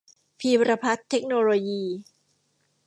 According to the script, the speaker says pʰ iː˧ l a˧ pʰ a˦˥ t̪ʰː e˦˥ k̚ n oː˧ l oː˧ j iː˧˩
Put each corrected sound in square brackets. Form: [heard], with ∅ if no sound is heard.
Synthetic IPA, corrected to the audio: pʰ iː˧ [ɾ] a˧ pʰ a˦˥ t̪ʰː e˦˥ k̚ n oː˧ l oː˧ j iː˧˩